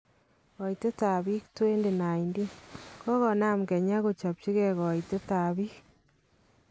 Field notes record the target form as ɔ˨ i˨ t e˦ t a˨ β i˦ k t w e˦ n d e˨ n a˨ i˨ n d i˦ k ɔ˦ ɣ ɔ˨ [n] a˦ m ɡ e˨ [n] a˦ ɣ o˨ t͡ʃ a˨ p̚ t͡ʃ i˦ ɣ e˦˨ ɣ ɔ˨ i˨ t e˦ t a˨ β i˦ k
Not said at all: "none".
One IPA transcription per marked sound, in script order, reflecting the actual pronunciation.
n, ɲ

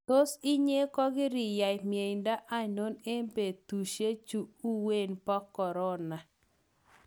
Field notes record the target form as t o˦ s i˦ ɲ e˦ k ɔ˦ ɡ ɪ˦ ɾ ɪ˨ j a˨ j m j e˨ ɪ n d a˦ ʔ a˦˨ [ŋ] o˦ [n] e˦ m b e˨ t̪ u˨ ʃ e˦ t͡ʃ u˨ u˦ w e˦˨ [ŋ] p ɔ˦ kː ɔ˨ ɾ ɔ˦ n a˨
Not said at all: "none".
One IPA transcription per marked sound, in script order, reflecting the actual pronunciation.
n, n, n

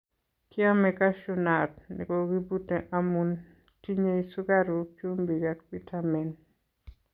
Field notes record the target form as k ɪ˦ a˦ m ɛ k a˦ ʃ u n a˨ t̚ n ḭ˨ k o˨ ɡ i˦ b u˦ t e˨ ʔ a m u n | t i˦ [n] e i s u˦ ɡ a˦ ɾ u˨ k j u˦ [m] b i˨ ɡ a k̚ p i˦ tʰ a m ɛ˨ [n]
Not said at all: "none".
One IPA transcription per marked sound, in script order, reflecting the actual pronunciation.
ɲ, m, n

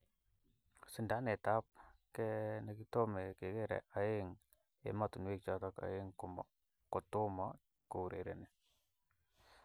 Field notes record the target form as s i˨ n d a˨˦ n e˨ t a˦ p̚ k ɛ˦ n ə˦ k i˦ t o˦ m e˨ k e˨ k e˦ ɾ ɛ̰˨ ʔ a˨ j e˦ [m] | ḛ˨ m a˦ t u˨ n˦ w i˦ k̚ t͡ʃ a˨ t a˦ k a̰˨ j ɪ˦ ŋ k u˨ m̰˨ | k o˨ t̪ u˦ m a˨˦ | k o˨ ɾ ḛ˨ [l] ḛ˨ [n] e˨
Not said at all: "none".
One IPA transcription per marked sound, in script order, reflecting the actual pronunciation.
ŋ, ɾ, n

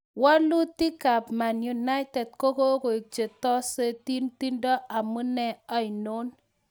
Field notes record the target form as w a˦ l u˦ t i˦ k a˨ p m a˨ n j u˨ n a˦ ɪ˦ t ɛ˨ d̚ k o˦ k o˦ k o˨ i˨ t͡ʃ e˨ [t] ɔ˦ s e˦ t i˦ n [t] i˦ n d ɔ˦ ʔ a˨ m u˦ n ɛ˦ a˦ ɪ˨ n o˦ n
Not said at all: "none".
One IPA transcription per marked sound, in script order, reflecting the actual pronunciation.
t, t

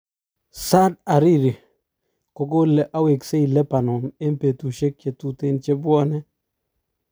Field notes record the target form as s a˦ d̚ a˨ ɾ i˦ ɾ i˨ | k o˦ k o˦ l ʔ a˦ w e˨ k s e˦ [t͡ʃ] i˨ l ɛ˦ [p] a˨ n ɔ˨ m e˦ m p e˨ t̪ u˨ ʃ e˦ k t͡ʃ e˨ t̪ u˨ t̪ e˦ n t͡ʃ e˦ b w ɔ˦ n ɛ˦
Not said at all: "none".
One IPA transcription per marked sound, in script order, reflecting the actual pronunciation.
none, p

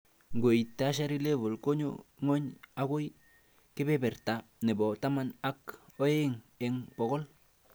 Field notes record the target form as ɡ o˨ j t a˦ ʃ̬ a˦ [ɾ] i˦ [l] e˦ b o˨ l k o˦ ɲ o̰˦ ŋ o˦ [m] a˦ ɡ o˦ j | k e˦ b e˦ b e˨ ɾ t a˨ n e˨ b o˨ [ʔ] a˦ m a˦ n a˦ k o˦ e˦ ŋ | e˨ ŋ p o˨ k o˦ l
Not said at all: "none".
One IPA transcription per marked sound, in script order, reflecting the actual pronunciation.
ɾ, l, ɲ, t

